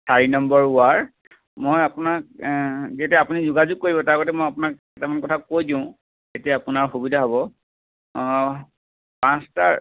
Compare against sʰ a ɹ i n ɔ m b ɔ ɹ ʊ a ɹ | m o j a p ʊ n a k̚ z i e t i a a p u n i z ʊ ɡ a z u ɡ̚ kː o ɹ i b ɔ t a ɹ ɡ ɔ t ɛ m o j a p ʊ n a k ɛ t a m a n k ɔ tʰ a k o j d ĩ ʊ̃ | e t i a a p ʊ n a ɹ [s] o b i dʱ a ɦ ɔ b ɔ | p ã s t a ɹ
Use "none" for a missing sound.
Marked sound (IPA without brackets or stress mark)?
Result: x